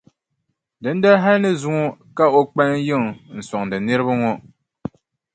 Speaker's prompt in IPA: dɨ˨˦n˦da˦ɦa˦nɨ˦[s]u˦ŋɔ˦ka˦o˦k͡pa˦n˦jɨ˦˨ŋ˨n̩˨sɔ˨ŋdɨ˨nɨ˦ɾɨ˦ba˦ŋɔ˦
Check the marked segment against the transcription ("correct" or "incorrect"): incorrect